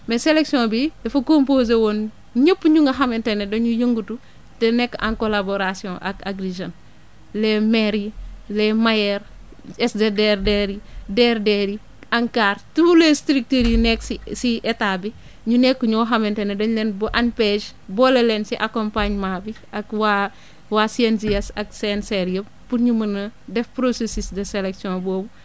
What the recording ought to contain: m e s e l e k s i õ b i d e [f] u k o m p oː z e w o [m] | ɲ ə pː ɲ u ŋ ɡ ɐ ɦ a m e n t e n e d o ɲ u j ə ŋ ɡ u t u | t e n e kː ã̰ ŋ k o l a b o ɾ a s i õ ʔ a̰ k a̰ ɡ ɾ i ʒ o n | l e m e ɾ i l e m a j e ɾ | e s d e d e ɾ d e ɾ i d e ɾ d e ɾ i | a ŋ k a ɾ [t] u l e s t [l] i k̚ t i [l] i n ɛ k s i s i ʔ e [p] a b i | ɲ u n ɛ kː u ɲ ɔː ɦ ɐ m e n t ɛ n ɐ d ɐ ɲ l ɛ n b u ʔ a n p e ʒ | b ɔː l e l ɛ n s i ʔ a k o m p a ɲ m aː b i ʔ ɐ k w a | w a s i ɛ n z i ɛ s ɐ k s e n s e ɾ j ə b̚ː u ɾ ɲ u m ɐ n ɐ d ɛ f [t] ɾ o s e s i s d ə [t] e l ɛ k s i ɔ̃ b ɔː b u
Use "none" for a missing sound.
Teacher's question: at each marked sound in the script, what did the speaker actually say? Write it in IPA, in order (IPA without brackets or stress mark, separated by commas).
f, n, t, ɾ, ɾ, t, p, s